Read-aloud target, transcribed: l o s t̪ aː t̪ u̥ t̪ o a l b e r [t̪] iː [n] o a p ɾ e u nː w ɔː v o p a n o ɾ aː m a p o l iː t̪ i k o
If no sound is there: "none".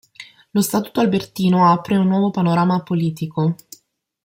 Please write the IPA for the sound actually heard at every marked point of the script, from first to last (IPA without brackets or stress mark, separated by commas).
t̪, n